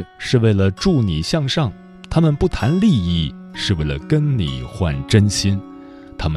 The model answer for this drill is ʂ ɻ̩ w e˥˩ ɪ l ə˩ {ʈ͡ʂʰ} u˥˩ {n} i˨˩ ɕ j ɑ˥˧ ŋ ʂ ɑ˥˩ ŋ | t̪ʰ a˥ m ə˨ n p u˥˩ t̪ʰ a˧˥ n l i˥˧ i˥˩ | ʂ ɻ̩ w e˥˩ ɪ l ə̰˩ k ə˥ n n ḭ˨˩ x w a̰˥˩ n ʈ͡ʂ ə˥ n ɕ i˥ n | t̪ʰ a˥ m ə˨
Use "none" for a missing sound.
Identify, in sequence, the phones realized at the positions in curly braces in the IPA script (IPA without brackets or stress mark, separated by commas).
ʈ͡ʂ, n